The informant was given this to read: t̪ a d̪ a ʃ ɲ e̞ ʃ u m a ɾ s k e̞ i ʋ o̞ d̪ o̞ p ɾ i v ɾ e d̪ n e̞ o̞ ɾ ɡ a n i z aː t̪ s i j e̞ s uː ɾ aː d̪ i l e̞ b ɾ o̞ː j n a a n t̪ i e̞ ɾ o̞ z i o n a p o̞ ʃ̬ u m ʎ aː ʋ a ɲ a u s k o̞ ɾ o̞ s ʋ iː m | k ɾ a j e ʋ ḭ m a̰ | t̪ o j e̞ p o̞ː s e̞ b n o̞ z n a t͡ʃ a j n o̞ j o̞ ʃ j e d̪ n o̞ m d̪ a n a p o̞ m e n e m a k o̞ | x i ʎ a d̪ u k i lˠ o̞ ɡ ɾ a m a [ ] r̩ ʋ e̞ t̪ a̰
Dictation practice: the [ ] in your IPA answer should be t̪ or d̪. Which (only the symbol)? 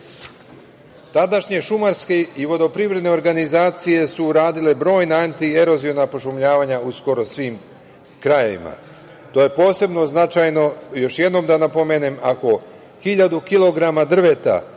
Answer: d̪